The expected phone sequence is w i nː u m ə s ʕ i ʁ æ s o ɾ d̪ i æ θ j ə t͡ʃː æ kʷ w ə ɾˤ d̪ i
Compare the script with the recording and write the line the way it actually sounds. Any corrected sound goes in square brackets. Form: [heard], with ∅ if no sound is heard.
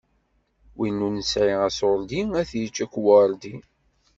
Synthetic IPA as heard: w i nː u [n] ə s ʕ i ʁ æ s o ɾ d̪ i æ θ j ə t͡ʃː æ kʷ w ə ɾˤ d̪ i